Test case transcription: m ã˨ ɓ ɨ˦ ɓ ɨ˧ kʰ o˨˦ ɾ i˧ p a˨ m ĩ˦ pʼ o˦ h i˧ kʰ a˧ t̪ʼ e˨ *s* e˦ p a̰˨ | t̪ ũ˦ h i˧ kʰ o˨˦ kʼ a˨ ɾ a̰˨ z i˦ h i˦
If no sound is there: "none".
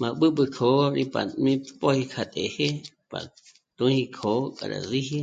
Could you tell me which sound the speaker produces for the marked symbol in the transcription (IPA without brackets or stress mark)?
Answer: h